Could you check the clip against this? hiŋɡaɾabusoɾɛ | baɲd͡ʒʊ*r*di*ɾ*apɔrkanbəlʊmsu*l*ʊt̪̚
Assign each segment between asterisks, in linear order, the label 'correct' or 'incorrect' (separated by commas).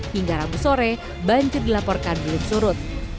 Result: correct, incorrect, incorrect